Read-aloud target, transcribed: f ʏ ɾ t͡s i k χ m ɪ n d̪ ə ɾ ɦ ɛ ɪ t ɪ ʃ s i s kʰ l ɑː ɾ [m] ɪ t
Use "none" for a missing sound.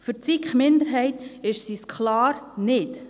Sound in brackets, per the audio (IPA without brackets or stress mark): n